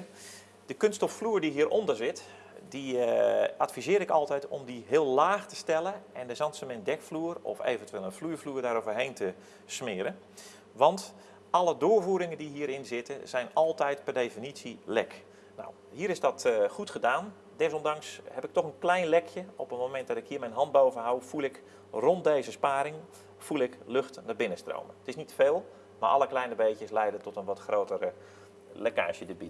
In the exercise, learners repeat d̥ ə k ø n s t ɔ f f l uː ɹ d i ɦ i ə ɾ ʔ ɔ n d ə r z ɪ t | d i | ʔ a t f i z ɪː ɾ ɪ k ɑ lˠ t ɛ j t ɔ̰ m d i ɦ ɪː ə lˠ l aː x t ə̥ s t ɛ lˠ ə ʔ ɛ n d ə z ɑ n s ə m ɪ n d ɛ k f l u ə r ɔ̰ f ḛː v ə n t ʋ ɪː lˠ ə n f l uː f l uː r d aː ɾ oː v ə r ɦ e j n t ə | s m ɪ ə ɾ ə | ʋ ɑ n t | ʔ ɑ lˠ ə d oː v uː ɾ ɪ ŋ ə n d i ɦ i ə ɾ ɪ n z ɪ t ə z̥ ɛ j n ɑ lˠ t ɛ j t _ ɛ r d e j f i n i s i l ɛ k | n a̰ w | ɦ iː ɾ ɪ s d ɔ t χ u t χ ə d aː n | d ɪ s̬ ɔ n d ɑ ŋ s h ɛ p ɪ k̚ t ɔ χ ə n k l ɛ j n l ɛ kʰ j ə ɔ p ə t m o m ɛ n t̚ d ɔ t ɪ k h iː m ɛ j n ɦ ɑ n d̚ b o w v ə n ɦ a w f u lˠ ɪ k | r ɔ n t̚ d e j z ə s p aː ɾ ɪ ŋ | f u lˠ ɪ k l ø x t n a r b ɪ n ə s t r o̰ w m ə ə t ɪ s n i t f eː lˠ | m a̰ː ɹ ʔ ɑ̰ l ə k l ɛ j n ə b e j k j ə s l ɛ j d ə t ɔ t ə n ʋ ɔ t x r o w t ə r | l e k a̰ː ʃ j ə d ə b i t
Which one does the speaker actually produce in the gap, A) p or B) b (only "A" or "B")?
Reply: A